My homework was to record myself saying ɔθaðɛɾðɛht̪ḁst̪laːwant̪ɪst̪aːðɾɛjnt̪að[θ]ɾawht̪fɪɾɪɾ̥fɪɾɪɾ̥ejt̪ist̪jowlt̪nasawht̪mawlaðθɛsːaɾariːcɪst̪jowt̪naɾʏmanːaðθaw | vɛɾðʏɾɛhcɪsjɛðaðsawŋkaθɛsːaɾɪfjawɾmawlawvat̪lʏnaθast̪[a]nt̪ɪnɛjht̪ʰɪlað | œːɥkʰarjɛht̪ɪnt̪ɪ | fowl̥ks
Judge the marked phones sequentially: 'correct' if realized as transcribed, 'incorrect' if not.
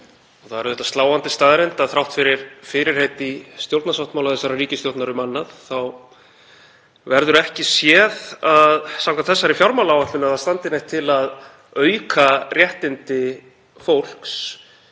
correct, correct

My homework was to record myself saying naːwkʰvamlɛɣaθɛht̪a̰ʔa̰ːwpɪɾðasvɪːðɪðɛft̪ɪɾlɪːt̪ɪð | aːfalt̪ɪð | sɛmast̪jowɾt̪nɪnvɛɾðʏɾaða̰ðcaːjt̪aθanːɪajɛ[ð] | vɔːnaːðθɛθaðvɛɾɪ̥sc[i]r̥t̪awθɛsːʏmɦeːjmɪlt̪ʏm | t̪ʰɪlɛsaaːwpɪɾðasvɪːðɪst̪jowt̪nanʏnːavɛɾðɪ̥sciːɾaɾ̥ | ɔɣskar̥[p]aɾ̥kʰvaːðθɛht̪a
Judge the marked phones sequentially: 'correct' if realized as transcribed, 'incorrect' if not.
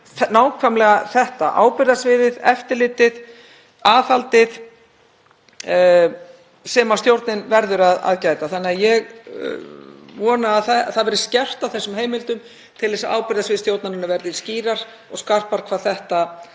incorrect: ɣ, incorrect: ɛ, correct

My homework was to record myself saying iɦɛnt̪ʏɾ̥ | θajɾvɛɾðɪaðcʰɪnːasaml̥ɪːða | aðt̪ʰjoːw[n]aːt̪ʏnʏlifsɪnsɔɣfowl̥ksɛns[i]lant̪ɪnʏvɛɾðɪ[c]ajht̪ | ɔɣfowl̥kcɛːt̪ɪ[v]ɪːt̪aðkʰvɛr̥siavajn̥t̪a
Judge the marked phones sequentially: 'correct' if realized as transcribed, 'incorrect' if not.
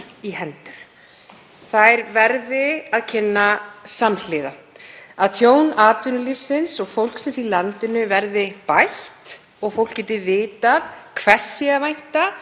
correct, correct, incorrect: p, correct

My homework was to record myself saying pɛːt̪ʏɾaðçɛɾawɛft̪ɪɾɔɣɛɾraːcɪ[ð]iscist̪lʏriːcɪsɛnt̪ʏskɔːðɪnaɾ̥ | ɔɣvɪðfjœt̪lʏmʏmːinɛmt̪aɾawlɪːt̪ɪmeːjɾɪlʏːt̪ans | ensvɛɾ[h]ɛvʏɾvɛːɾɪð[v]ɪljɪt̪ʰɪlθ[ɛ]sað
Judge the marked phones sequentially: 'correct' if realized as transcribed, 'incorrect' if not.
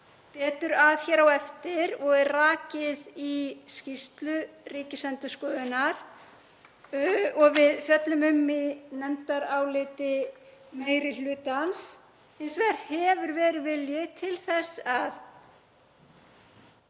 correct, correct, correct, correct

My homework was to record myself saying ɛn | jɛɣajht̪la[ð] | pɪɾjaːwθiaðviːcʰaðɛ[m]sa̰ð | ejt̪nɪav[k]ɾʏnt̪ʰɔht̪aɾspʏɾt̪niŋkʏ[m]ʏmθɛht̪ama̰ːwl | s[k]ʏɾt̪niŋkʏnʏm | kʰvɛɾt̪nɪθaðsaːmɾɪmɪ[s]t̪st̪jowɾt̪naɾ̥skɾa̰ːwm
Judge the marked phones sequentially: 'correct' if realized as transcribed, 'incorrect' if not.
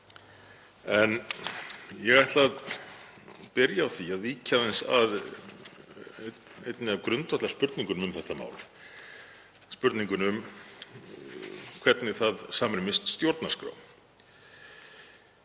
correct, incorrect: n, correct, incorrect: n, incorrect: p, correct

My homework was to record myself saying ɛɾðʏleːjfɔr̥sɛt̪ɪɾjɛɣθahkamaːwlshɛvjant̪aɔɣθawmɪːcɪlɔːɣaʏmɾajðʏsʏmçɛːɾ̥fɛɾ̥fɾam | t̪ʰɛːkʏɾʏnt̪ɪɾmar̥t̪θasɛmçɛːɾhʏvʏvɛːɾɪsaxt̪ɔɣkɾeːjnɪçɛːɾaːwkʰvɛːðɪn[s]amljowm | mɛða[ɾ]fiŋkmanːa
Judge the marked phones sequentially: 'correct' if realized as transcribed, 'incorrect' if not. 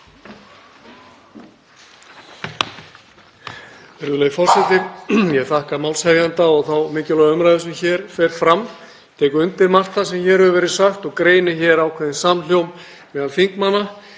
correct, incorrect: l

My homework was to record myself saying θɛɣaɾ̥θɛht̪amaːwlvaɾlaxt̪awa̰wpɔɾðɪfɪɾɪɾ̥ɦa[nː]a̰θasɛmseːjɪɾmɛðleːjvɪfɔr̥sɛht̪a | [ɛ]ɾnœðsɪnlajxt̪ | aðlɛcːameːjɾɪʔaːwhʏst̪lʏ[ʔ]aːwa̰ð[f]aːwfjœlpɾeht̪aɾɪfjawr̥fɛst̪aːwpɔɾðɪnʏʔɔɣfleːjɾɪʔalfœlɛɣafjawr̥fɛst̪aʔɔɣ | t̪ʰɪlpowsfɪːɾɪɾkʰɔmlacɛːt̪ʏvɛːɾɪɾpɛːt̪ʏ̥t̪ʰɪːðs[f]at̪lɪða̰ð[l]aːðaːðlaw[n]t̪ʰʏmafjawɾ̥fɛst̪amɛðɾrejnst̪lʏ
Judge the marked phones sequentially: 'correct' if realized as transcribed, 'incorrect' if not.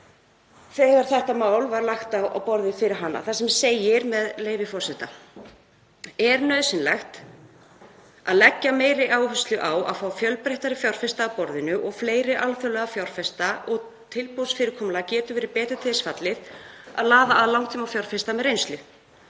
correct, correct, correct, correct, correct, correct, incorrect: ŋ

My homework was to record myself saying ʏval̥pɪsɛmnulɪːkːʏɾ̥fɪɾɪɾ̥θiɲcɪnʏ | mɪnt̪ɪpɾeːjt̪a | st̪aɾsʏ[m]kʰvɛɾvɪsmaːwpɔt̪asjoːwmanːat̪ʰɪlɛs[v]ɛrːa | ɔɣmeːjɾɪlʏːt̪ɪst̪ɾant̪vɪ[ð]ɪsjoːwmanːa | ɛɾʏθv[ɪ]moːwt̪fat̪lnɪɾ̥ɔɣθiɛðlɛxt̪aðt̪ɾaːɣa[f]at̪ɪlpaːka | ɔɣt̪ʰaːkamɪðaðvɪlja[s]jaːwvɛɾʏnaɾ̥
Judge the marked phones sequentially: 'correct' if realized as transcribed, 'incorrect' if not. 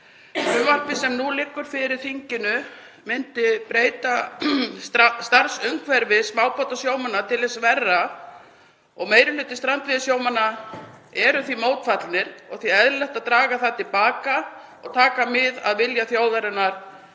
incorrect: ŋ, correct, correct, incorrect: i, incorrect: θ, incorrect: θ

